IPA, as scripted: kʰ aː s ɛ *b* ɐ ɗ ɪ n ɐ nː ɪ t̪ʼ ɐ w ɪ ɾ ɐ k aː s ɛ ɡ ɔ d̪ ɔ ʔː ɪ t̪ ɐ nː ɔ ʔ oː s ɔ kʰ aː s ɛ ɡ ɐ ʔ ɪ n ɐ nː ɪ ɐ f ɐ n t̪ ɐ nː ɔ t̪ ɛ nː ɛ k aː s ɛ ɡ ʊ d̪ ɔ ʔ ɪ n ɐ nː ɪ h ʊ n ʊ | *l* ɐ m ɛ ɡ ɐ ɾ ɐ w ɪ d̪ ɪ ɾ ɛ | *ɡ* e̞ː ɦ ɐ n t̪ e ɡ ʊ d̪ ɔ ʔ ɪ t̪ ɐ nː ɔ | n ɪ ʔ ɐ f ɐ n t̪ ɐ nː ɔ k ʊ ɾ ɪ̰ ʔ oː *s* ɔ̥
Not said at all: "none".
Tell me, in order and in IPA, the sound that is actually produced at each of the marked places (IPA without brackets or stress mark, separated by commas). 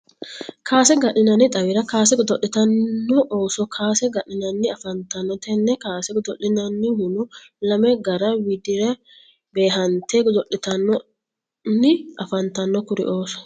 ɡ, l, b, s